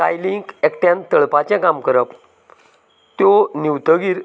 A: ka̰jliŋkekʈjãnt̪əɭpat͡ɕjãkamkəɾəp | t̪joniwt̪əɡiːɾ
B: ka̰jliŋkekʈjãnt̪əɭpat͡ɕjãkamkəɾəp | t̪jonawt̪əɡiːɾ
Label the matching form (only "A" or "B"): A